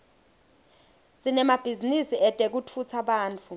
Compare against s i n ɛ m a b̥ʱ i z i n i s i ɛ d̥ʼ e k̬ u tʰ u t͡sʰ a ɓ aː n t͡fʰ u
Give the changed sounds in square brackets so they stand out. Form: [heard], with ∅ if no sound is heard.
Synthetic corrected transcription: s i n ɛ m a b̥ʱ i z i n i s i ɛ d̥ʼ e k̬ u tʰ u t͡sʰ a ɓ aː n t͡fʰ u